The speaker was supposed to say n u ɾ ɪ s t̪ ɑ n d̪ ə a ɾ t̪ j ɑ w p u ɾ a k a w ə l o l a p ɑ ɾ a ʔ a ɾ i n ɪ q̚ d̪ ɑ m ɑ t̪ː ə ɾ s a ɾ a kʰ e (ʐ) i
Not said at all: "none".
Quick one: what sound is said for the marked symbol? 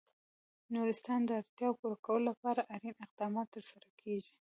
ʒ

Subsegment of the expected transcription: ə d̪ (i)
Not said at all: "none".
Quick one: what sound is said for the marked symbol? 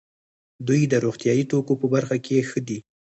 i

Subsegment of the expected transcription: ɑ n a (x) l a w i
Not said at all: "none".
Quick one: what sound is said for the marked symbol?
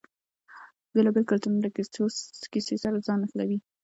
x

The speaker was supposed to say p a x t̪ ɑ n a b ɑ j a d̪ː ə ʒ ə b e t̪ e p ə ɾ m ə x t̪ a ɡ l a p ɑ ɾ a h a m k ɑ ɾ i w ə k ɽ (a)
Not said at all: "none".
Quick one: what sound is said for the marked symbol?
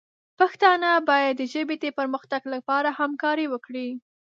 i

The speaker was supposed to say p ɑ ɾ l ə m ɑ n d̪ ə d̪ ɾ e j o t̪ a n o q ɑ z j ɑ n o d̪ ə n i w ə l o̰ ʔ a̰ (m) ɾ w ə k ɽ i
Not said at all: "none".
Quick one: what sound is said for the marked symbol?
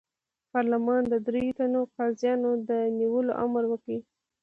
m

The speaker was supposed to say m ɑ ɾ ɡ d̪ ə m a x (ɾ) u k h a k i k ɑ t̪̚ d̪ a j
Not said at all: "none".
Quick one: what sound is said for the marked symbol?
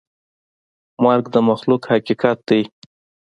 l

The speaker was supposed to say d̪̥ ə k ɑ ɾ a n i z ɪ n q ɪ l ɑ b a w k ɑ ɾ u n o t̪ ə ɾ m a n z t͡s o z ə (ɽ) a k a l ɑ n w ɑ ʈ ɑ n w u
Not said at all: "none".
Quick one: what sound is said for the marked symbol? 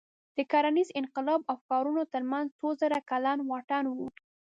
ɾ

